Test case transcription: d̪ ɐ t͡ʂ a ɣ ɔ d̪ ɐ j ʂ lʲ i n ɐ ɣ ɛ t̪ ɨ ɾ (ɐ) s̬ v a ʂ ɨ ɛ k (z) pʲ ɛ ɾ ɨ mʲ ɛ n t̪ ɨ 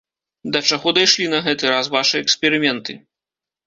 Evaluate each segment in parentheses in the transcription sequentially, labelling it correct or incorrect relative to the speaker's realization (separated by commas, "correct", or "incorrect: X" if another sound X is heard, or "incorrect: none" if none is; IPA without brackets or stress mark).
incorrect: a, incorrect: s